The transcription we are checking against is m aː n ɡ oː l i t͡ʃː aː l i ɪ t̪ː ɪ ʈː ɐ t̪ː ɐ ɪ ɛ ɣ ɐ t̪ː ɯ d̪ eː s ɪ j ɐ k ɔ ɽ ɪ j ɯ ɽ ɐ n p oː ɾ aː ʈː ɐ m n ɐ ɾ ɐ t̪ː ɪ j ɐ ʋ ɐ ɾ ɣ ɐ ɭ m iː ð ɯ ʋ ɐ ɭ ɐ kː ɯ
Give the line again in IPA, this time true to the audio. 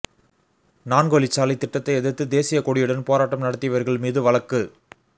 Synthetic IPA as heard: n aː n ɡ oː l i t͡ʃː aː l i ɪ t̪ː ɪ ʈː ɐ t̪ː ɐ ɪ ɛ ð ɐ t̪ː ɯ d̪ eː s ɪ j ɐ k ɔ ɽ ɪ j ɯ ɽ ɐ n p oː ɾ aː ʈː ɐ m n ɐ ɽ ɐ t̪ː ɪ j ɐ ʋ ɐ ɾ ɣ ɐ ɭ m iː ð ɯ ʋ ɐ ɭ ɐ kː ɯ